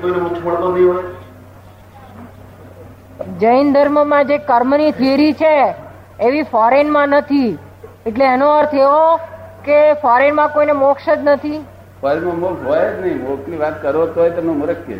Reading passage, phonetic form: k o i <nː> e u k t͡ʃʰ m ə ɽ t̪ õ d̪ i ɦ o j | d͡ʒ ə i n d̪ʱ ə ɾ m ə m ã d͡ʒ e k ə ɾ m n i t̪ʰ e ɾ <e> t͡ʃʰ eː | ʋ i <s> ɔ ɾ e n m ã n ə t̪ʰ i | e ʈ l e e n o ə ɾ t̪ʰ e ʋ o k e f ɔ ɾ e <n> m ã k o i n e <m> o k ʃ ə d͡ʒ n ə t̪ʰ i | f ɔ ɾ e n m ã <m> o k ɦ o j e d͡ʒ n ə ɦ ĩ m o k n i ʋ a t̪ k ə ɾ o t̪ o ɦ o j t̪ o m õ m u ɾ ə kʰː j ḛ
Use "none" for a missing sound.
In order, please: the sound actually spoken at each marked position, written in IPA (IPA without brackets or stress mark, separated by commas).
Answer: n, i, f, n, m, m